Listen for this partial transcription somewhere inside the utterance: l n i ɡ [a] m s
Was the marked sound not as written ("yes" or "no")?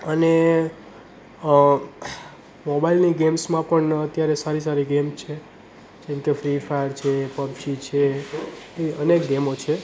yes